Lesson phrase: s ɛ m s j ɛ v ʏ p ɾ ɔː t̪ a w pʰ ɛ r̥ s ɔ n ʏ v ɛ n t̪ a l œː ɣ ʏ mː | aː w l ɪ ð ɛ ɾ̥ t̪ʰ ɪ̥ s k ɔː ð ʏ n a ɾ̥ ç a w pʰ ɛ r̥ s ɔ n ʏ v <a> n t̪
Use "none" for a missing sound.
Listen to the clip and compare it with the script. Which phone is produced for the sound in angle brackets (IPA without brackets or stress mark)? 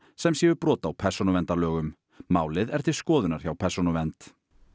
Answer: ɛ